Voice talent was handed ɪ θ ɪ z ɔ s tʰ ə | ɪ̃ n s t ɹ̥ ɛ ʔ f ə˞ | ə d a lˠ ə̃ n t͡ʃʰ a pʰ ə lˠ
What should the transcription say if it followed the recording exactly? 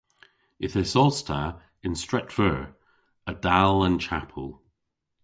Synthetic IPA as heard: ɪ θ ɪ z ɔ s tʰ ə | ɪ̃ n s t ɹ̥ ɛ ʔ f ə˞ | ə d a lˠ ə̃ n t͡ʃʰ a pʰ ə lˠ